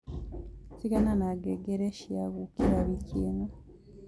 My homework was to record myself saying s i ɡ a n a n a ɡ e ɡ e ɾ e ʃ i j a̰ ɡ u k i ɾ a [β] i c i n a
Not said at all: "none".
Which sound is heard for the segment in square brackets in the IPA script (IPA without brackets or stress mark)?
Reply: β